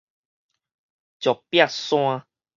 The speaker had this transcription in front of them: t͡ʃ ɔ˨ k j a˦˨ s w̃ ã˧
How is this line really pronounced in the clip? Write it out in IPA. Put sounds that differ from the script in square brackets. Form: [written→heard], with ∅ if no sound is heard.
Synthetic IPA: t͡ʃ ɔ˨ [k→p] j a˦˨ s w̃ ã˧